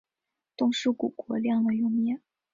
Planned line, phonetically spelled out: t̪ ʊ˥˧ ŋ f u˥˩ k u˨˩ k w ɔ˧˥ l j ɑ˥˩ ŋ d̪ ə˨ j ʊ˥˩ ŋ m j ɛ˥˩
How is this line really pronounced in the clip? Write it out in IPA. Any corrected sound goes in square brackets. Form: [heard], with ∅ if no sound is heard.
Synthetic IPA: t̪ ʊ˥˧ ŋ [ʂ] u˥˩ k u˨˩ k w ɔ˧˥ l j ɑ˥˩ ŋ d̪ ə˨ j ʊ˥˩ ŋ m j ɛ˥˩